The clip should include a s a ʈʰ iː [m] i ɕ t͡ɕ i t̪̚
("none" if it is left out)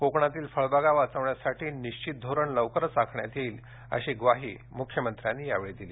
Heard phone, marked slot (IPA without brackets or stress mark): n